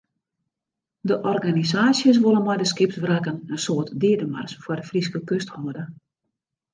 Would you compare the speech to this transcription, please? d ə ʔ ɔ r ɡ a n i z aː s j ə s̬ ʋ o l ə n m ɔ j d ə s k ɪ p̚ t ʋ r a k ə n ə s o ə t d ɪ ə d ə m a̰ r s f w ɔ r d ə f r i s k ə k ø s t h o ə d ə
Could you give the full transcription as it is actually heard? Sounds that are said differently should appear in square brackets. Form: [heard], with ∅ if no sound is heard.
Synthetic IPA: d ə ʔ ɔ r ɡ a n i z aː s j ə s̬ ʋ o l ə n m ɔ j d ə s k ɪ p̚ t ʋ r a k ə n ə s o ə t d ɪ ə d ə m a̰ r s f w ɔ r d ə f r i s k ə k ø s t h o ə d ə